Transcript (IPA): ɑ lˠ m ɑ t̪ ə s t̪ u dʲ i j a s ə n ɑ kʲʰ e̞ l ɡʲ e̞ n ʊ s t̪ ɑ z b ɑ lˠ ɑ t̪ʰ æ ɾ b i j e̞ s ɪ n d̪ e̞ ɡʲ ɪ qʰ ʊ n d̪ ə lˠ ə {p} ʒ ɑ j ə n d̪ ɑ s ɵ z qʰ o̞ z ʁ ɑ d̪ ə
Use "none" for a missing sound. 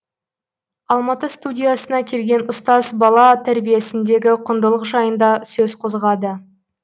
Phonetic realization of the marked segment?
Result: q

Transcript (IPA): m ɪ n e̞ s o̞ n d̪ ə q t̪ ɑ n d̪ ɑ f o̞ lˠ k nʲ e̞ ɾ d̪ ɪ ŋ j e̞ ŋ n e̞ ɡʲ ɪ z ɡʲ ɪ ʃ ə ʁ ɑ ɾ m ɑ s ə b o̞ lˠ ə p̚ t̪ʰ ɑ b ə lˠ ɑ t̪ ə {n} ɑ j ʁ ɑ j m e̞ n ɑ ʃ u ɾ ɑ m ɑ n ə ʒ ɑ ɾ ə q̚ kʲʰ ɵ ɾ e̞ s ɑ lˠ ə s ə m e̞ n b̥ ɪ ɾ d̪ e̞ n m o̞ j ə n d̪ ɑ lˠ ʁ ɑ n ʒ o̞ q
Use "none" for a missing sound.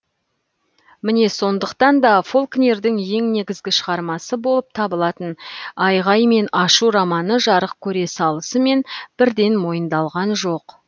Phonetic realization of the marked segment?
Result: n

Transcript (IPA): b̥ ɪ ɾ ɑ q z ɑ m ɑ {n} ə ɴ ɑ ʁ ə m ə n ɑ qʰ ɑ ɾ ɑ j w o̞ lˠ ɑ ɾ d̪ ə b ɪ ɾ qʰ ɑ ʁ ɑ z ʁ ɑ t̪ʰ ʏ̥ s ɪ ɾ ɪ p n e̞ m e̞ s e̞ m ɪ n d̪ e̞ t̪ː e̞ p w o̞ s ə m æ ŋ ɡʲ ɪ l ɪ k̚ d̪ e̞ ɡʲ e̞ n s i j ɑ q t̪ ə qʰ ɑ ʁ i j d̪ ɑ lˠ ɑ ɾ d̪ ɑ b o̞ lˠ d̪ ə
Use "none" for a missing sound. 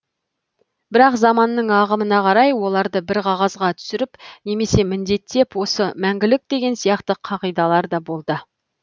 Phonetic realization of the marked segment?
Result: nː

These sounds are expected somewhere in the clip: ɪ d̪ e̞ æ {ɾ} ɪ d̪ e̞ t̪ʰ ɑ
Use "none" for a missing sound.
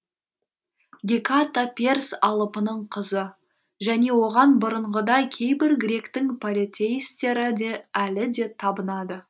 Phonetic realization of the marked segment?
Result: l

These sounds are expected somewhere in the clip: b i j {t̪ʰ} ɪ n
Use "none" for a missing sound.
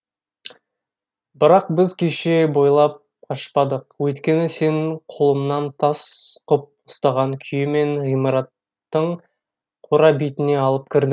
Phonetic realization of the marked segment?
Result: t̪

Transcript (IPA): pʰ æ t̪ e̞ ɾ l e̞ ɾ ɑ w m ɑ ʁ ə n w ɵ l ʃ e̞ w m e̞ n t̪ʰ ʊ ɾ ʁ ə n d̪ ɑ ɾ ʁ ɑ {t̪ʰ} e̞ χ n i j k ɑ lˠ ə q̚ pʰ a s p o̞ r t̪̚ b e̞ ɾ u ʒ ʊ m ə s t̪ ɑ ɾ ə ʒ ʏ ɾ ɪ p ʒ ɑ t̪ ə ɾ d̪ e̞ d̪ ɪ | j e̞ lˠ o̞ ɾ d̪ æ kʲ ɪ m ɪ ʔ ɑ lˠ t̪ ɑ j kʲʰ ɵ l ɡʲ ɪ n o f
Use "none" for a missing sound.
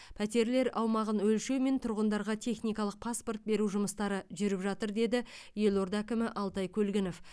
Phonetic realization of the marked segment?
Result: t̪ʰ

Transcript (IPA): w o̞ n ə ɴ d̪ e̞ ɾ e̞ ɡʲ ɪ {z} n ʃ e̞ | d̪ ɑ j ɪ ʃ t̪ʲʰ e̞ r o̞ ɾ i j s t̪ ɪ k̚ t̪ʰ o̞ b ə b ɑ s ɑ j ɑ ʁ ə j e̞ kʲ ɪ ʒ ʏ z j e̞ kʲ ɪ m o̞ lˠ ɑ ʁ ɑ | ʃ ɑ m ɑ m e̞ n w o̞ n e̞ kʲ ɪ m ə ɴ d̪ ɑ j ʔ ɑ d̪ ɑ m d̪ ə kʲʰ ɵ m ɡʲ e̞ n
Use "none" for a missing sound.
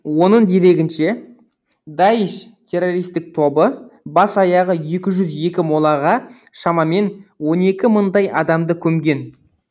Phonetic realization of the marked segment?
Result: none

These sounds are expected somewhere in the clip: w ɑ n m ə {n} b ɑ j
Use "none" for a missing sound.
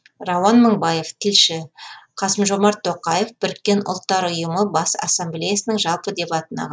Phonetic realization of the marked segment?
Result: ɴ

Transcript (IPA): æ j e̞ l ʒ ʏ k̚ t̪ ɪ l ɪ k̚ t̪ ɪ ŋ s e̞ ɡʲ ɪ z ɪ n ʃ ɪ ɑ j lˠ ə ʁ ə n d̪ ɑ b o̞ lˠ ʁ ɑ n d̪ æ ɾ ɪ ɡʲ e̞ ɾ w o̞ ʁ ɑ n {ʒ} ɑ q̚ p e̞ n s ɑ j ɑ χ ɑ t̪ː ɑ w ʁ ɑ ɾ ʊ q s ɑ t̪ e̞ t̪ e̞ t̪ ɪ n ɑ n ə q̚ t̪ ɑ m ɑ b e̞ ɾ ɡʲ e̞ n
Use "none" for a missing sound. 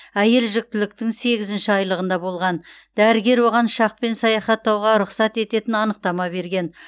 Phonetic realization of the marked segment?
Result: ʃ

